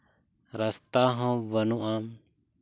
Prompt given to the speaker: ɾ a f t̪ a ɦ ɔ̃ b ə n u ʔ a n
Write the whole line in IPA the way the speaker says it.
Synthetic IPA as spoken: ɾ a s t̪ a ɦ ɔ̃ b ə n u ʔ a m